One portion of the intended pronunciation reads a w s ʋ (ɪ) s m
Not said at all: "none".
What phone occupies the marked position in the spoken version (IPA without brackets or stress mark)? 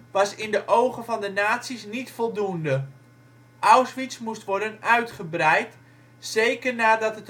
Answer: i